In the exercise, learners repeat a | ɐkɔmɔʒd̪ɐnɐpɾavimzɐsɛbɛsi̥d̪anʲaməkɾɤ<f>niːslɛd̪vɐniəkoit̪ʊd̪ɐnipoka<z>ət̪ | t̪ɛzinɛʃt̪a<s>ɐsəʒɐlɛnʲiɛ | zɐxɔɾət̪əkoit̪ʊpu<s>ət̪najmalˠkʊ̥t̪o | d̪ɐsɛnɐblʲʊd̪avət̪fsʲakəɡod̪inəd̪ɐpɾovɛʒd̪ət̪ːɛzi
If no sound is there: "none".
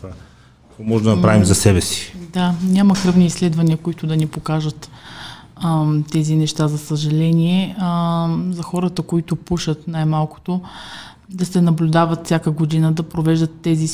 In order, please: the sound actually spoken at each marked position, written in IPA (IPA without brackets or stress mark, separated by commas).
v, ʒ, z, ʃ